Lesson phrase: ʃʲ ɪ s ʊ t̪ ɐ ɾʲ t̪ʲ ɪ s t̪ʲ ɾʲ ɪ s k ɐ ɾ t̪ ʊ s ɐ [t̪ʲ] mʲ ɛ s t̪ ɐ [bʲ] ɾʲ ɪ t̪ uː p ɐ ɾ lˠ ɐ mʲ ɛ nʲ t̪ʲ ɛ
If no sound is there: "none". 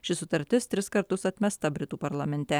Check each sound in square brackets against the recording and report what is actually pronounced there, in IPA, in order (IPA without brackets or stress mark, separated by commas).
t̪ʲ, bʲ